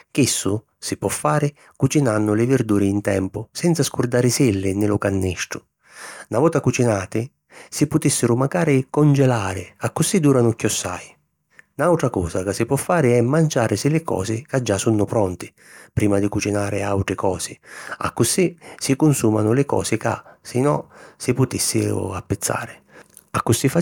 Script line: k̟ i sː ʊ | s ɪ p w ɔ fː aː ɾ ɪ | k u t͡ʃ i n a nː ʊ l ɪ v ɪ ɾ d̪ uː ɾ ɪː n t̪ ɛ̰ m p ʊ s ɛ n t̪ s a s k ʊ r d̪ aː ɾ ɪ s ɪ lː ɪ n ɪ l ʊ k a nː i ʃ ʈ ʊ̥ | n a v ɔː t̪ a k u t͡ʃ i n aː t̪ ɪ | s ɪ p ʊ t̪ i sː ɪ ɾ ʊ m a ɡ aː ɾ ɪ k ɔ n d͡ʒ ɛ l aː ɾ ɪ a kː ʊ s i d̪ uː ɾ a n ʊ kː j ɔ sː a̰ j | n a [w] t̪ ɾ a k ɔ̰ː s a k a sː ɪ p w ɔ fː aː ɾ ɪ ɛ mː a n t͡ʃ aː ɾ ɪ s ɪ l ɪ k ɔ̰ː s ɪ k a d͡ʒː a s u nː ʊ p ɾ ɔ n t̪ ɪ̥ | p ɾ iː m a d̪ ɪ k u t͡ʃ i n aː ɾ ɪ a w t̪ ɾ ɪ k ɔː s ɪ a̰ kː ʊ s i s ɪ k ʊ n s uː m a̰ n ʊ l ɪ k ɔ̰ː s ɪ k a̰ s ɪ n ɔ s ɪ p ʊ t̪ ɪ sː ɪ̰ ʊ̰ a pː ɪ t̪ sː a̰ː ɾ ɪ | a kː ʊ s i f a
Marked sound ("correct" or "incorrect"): correct